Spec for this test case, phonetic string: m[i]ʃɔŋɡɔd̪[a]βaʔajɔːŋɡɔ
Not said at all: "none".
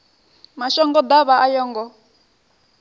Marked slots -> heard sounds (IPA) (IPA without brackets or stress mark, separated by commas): a, a